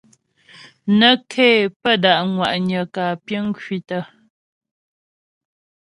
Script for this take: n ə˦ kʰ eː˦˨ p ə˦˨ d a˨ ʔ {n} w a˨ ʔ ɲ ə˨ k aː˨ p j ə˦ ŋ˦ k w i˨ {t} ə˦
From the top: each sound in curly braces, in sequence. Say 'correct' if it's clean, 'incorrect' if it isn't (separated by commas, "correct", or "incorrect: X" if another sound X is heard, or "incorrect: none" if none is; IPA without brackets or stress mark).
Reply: incorrect: ŋ, correct